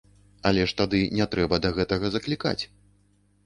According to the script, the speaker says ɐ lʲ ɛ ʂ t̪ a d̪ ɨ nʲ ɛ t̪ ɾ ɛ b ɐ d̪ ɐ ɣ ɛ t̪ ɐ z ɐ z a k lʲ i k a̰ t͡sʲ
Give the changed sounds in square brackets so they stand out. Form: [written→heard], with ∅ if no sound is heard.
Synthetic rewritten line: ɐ lʲ ɛ ʂ t̪ a d̪ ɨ nʲ ɛ t̪ ɾ ɛ b ɐ d̪ ɐ ɣ ɛ t̪ ɐ [z→ɣ] ɐ z [a→ɐ] k lʲ i k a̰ t͡sʲ